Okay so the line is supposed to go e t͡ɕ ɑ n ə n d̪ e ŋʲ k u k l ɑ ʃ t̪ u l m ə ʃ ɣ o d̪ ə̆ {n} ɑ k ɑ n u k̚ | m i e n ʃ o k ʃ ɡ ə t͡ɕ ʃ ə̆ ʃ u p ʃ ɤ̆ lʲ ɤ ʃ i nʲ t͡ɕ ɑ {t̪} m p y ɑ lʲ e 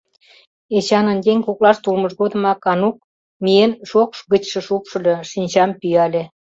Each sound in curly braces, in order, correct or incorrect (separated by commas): incorrect, incorrect